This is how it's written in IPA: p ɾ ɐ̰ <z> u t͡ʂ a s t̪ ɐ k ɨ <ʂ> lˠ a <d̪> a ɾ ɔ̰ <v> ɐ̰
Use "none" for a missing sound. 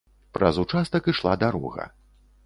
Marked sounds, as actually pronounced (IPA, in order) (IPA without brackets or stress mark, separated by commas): z, ʂ, d̪, ɣ